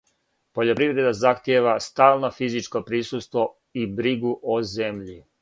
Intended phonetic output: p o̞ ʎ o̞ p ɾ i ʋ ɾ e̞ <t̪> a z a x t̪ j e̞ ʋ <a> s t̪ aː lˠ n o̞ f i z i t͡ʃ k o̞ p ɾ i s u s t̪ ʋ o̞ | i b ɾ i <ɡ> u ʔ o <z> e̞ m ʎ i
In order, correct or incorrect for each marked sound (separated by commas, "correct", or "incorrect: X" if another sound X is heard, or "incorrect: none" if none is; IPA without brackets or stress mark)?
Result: incorrect: d̪, correct, correct, correct